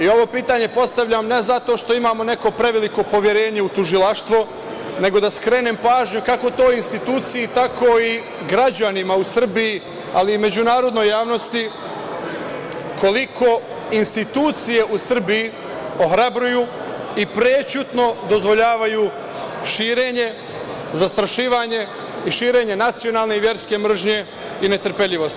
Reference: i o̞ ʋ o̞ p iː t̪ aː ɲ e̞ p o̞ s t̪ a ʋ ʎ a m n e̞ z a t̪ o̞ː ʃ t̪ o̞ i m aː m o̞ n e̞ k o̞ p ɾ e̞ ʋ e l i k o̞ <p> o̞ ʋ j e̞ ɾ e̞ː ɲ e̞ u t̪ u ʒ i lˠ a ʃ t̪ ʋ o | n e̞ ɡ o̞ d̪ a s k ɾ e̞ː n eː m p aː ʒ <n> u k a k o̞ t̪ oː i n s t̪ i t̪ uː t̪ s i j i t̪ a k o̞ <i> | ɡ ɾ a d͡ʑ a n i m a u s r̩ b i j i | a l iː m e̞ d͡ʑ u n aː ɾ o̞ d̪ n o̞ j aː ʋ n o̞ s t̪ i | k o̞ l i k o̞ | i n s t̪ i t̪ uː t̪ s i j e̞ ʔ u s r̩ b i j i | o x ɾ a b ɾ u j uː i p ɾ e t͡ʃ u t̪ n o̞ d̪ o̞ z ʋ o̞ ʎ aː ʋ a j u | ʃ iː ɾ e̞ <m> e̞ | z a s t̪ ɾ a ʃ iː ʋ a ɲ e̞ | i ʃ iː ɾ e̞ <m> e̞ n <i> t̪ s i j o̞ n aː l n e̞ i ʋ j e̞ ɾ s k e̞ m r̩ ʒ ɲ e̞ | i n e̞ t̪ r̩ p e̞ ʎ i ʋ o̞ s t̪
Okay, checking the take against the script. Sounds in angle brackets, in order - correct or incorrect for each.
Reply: correct, incorrect, correct, incorrect, incorrect, incorrect

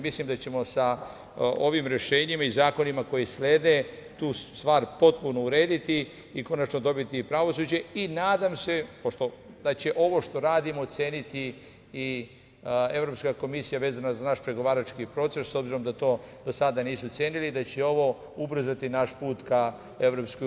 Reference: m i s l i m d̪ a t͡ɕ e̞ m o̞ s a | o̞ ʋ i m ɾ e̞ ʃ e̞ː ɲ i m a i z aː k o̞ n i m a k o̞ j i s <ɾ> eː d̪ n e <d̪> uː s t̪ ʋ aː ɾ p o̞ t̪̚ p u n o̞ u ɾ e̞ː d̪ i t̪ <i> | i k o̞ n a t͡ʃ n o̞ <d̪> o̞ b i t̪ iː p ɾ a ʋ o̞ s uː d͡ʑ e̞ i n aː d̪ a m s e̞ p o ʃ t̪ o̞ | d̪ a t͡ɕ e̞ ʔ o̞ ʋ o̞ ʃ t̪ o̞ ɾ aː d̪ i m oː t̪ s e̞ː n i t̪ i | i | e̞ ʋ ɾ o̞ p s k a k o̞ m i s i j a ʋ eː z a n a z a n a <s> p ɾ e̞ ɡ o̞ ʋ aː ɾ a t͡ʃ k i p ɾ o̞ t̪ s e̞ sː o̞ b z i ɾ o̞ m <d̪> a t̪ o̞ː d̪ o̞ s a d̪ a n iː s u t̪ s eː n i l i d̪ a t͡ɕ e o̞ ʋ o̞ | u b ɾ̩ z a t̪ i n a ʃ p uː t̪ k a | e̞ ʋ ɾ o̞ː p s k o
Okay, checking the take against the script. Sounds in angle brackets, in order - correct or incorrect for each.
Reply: incorrect, incorrect, correct, correct, incorrect, correct

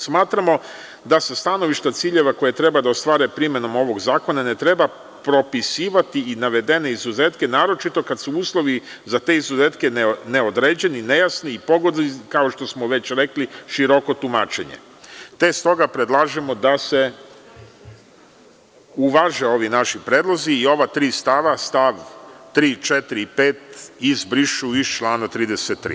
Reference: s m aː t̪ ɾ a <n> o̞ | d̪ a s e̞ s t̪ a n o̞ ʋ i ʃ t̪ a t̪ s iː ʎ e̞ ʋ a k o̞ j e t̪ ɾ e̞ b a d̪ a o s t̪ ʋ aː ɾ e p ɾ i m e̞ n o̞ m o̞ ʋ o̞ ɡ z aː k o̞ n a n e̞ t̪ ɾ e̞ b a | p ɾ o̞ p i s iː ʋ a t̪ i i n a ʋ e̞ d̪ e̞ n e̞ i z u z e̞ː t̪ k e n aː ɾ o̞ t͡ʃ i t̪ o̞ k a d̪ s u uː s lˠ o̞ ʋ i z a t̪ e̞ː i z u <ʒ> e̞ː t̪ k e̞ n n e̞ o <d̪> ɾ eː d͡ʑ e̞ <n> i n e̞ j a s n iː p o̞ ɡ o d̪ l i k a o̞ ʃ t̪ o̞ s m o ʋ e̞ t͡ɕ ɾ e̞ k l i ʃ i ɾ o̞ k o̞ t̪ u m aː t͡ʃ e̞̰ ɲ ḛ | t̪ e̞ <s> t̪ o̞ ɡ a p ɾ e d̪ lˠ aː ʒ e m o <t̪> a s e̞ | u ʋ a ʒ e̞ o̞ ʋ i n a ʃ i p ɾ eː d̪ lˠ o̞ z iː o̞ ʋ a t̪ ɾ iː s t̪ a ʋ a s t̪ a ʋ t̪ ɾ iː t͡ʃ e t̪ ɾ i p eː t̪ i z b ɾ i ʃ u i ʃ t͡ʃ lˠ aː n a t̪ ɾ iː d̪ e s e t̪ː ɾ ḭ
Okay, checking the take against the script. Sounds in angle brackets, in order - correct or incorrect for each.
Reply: incorrect, incorrect, correct, correct, correct, incorrect

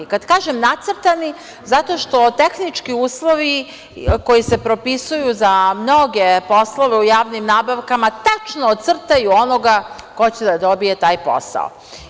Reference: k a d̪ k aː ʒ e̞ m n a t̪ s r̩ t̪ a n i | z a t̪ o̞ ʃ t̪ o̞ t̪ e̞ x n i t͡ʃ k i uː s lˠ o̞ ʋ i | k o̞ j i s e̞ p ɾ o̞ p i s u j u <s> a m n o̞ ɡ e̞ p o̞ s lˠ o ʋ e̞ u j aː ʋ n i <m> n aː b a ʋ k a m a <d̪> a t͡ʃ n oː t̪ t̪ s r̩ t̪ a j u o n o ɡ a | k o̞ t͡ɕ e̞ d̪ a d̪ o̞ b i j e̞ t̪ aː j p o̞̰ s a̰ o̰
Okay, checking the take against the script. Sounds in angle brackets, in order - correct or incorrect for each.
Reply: incorrect, correct, incorrect

